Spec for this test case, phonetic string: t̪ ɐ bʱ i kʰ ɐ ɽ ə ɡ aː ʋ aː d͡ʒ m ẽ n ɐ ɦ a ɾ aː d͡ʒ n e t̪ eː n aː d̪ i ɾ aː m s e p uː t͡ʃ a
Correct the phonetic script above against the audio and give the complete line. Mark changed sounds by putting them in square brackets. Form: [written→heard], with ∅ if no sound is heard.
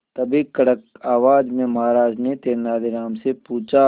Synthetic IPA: t̪ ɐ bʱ i [kʰ→k] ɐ ɽ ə [ɡ→k] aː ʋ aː d͡ʒ m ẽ [n→m] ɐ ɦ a ɾ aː d͡ʒ n e t̪ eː n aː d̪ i ɾ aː m s e p uː t͡ʃ a